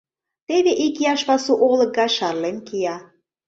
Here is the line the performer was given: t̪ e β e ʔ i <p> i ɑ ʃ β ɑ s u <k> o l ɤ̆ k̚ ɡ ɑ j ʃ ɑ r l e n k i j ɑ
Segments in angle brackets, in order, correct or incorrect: incorrect: k, incorrect: ʔ

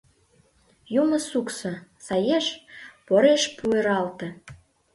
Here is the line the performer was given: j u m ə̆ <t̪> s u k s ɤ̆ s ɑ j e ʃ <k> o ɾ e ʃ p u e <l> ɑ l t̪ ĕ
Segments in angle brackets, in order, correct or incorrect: incorrect: none, incorrect: p, incorrect: ɾ

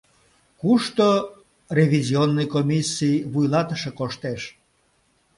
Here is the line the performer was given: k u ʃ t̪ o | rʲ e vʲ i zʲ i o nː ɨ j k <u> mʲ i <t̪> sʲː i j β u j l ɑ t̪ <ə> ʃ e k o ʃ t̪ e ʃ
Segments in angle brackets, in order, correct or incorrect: incorrect: o, incorrect: none, correct

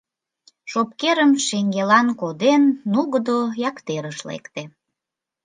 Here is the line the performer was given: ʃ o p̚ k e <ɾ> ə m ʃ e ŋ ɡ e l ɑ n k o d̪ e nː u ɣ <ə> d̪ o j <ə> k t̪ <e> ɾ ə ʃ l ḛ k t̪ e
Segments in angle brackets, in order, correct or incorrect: correct, correct, incorrect: ɑ, correct

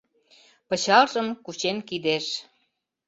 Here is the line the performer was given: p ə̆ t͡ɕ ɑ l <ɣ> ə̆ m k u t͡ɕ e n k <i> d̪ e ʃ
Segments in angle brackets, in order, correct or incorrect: incorrect: ʒ, correct

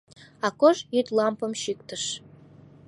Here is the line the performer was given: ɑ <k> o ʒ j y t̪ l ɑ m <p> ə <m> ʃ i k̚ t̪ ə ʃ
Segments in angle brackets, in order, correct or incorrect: correct, correct, correct

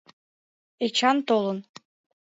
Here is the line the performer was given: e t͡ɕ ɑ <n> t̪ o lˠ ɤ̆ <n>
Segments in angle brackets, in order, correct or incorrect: correct, correct

